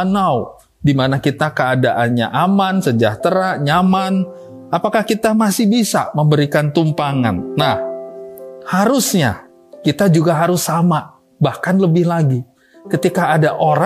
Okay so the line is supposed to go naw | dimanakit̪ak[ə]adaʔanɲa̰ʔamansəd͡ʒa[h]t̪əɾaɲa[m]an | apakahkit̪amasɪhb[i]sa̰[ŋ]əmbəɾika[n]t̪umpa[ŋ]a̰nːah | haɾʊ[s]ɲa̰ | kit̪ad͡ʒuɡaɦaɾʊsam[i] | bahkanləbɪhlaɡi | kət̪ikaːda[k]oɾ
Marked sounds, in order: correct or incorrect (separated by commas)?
correct, correct, correct, correct, incorrect, correct, correct, correct, incorrect, incorrect